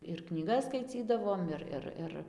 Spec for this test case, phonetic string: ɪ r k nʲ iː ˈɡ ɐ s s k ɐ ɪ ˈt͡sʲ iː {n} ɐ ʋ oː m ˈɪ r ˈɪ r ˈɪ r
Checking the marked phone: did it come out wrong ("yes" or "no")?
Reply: yes